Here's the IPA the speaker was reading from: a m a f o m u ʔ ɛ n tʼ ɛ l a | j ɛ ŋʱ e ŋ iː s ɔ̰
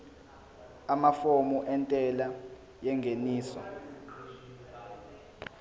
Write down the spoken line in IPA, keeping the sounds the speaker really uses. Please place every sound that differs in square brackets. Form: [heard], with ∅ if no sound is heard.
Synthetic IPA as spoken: a m a f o m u ʔ ɛ n tʼ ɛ l a | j ɛ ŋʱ e [n] iː s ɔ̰